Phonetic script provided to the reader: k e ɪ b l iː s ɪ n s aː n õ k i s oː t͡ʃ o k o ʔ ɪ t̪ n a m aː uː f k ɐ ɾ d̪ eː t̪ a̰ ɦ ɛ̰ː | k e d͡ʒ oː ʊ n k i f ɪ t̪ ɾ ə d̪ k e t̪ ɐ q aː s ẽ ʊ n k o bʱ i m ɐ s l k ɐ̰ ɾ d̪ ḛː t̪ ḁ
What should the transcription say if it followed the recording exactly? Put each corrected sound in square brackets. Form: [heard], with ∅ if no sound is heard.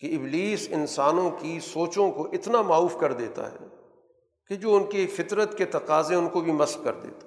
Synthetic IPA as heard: k e ɪ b l iː s ɪ n s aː n õ k i s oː t͡ʃ [õ] k o ʔ ɪ t̪ n a m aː uː f k ɐ ɾ d̪ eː t̪ a̰ ɦ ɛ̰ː | k e d͡ʒ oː ʊ n k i f ɪ t̪ ɾ ə [t̪] k e t̪ ɐ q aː [z] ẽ ʊ n k o bʱ i m ɐ s l k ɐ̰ ɾ d̪ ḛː t̪ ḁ